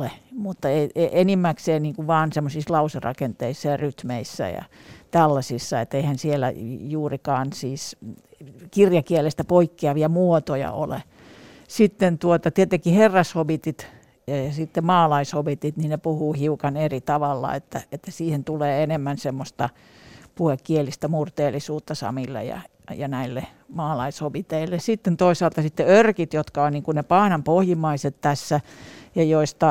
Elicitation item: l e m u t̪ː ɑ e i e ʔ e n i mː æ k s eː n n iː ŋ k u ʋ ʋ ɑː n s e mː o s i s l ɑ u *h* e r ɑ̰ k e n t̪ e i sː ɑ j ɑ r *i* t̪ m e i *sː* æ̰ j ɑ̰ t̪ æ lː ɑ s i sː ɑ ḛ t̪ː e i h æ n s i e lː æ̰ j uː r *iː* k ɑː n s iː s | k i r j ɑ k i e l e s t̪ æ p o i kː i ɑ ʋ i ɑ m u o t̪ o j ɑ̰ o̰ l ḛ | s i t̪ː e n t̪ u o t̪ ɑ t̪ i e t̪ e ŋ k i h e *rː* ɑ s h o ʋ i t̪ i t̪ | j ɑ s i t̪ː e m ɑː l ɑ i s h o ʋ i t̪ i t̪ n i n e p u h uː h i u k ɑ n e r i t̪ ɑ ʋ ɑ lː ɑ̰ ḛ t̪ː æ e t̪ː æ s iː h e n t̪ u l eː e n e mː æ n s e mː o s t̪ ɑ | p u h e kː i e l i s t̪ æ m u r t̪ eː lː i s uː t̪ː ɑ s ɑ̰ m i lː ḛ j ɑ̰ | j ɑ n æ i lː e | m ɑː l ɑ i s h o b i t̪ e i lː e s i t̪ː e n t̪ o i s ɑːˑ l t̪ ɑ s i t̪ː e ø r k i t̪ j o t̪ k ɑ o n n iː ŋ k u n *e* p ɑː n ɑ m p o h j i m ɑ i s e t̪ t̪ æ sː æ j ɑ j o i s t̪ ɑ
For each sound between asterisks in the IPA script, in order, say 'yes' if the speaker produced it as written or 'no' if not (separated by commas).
no, no, yes, no, yes, yes